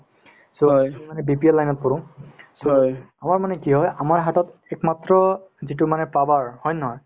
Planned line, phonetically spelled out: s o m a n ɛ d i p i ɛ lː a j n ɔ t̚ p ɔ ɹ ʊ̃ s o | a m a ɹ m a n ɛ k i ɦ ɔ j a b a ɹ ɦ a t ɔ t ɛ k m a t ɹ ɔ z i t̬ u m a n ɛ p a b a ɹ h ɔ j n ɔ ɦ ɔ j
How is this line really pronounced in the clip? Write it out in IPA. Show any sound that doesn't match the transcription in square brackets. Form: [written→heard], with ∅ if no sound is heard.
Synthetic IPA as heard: s o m a n ɛ [d→b] i p i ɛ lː a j n ɔ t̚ p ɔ ɹ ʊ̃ s o | a m a ɹ m a n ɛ k i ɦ ɔ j a [b→m] a ɹ ɦ a t ɔ t ɛ k m a t ɹ ɔ z i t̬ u m a n ɛ p a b a ɹ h ɔ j n ɔ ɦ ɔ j